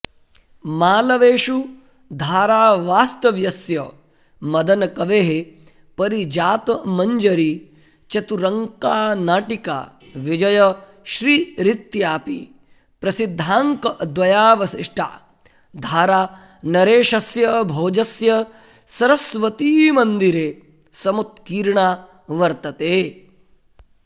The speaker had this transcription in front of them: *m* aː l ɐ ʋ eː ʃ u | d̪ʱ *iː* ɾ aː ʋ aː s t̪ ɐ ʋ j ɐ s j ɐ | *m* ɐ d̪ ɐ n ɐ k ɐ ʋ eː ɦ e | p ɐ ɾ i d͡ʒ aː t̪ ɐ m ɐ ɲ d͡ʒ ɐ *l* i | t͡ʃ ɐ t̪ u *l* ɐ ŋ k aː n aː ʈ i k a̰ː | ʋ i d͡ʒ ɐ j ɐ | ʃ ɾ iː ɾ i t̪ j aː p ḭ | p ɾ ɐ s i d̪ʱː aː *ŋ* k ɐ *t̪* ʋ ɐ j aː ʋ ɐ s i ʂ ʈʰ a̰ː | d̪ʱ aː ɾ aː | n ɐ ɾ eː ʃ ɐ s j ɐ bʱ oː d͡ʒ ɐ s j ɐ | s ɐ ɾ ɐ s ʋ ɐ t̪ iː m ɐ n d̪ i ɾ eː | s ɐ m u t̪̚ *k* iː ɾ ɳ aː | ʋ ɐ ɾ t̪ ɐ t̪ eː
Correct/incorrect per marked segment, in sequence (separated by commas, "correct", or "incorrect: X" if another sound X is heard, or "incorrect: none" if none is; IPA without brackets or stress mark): correct, incorrect: aː, correct, incorrect: ɾ, incorrect: ɾ, correct, incorrect: d̪, correct